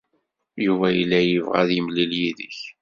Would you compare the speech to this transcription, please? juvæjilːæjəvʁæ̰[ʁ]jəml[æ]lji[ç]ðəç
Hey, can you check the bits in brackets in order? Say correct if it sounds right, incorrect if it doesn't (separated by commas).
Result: incorrect, incorrect, incorrect